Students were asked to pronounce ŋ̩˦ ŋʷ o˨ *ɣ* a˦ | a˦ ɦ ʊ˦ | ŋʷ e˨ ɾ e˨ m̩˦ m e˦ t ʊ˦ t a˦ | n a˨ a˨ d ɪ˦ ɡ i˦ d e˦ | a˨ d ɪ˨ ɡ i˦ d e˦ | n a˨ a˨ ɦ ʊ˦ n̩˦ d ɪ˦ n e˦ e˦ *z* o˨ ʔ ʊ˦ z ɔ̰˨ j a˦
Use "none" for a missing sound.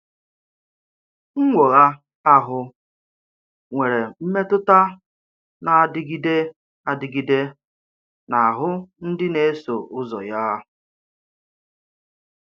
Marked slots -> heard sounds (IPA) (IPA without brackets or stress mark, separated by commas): ɣ, s